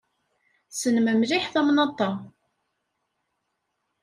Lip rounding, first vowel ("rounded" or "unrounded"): unrounded